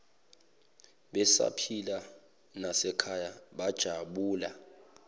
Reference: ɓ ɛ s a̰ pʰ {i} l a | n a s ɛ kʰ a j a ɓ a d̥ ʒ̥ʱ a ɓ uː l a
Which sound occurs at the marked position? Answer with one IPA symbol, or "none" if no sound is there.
i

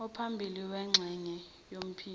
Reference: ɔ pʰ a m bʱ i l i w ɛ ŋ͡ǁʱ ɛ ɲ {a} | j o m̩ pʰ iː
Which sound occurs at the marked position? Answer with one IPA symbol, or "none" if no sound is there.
ɛ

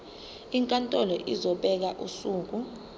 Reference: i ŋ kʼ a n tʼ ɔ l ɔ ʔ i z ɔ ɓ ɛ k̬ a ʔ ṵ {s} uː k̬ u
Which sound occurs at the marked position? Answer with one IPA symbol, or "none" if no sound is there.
s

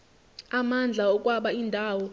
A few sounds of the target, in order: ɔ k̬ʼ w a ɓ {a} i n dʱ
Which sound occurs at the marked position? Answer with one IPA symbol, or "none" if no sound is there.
a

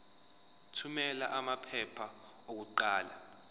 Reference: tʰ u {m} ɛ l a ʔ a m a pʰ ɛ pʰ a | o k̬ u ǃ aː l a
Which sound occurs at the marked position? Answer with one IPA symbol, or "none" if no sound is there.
m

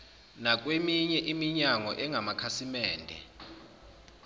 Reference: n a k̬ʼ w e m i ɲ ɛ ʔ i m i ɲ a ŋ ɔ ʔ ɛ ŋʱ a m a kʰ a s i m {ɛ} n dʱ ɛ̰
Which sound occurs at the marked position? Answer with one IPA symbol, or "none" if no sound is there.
ɛː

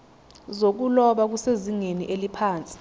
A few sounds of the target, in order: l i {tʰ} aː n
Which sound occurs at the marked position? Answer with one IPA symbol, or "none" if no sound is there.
pʰ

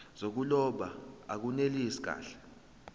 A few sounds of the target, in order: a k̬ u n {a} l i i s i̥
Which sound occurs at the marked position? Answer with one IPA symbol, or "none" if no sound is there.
e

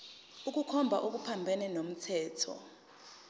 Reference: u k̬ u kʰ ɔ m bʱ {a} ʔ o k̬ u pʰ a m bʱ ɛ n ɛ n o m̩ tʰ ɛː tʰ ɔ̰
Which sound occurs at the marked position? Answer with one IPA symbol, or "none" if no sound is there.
a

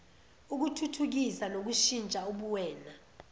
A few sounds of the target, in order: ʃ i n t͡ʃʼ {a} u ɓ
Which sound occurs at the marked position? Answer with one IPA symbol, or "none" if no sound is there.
a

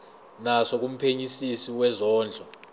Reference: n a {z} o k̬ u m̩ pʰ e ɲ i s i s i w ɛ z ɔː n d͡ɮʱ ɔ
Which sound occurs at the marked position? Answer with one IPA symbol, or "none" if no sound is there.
s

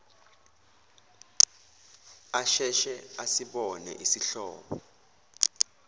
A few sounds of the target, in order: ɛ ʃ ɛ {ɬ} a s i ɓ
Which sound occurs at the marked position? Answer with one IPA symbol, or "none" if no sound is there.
none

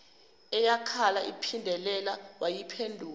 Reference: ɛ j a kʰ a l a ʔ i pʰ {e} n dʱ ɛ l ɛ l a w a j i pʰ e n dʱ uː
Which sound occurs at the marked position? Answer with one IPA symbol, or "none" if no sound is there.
i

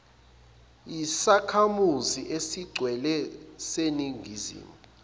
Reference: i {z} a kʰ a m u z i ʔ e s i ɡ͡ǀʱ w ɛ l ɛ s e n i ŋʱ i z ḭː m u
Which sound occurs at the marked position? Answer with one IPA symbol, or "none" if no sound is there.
s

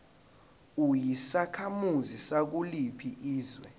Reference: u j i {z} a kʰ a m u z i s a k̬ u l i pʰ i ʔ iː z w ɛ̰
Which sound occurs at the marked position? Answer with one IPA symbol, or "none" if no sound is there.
s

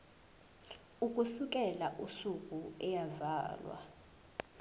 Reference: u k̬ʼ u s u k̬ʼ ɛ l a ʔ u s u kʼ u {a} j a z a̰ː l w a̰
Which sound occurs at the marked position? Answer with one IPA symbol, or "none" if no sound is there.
ɛ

